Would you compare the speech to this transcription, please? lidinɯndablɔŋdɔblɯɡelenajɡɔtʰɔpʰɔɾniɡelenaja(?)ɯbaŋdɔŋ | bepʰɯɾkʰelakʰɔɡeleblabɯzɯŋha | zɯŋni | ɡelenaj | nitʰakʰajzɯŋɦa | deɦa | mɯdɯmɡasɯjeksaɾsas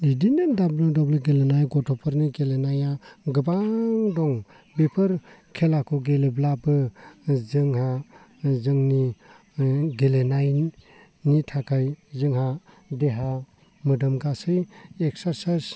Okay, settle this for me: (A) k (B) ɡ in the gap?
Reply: B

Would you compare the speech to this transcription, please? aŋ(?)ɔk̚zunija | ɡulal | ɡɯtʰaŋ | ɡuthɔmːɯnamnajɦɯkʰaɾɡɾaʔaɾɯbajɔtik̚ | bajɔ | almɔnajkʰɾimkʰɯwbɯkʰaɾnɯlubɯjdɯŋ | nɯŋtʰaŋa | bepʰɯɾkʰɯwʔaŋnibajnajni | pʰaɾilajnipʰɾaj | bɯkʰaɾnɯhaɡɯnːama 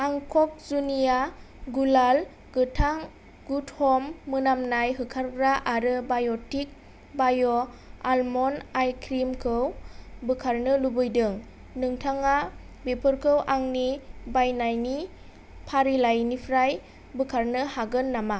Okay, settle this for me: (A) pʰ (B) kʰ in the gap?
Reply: B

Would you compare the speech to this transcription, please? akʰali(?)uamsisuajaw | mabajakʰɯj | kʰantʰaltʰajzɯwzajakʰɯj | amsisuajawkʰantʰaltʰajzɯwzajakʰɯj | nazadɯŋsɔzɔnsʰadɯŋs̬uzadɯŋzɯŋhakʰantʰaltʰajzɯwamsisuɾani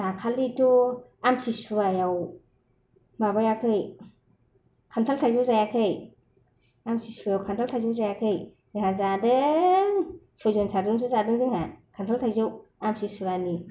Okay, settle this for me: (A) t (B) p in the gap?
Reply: A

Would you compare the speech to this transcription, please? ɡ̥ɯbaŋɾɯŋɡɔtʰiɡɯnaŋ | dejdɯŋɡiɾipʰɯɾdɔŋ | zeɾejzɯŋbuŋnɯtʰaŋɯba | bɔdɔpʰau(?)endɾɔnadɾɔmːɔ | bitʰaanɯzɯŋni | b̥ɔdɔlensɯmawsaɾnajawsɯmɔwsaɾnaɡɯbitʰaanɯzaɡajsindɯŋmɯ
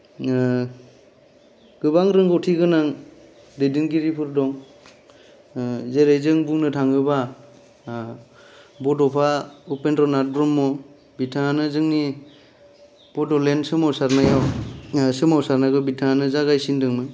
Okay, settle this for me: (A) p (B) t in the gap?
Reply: A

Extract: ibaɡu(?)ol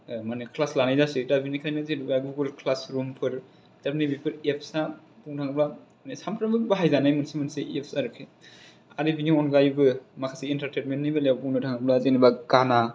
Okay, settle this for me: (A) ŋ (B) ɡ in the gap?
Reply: B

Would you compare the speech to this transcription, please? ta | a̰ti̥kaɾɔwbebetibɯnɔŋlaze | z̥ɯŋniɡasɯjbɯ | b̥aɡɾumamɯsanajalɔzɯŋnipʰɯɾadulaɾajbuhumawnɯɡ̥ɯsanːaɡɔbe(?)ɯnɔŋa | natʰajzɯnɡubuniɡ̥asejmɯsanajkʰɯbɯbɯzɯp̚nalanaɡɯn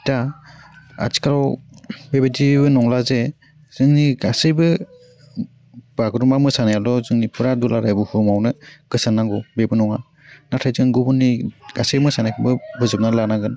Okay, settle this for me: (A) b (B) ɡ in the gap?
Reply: A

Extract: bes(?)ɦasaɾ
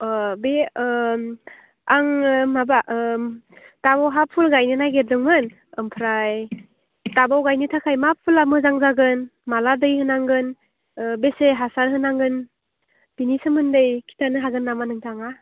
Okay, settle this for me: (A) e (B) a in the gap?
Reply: A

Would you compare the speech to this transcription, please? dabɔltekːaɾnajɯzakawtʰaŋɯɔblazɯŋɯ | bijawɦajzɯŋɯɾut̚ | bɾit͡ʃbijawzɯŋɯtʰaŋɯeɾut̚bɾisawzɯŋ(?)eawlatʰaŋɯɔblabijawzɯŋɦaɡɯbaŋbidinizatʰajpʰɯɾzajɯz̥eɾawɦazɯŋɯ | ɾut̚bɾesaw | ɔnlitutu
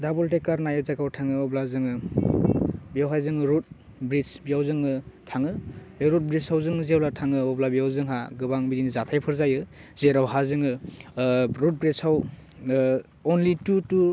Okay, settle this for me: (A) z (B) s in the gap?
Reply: A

